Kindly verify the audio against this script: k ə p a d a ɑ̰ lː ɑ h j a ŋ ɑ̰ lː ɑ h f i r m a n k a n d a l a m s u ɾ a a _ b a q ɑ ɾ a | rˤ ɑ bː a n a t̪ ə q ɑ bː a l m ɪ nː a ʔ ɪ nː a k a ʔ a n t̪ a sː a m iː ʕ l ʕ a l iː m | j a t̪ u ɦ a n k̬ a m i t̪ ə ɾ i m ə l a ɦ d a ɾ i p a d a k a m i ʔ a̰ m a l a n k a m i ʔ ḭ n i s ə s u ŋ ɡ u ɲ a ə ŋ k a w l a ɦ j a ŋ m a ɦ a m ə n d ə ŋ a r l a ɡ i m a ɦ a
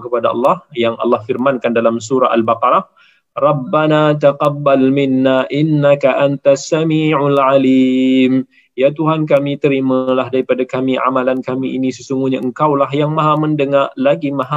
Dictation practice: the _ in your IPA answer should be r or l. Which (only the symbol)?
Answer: l